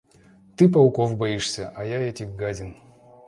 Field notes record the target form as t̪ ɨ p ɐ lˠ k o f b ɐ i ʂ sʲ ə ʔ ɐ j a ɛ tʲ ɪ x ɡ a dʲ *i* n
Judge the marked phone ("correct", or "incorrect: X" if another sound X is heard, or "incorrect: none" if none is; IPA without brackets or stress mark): incorrect: ɪ